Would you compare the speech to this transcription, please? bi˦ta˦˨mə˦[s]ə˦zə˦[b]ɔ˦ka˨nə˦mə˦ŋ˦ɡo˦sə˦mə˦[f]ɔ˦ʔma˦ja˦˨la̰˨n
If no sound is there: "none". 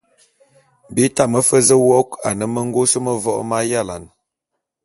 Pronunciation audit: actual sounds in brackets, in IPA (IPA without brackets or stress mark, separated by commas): f, w, v